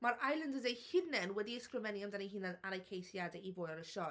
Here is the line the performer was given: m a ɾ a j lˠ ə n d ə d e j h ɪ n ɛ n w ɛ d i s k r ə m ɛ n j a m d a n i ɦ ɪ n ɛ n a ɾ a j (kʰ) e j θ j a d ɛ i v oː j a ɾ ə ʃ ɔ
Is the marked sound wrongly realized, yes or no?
no